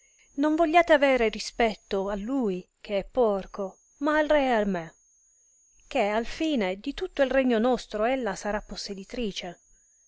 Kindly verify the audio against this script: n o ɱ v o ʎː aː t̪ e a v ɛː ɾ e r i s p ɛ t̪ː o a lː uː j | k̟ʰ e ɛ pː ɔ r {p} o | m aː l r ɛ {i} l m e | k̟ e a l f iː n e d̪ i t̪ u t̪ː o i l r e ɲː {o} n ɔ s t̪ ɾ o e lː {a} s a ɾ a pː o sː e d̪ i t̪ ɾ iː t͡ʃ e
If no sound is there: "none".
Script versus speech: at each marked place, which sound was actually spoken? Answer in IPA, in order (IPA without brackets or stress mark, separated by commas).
k, a, o, a